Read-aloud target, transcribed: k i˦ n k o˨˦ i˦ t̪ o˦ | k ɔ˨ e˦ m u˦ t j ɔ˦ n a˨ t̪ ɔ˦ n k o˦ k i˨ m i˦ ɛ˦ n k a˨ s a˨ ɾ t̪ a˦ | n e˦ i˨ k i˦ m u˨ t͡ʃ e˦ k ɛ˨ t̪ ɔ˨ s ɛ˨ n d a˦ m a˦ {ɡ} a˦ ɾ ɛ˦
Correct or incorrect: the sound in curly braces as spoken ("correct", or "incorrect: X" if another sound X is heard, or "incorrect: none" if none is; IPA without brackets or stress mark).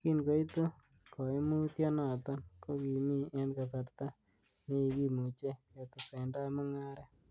incorrect: ŋ